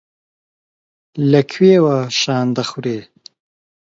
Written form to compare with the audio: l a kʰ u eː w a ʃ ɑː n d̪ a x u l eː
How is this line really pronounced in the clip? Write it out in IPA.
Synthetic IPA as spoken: l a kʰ w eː w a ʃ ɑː n d̪ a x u ɾ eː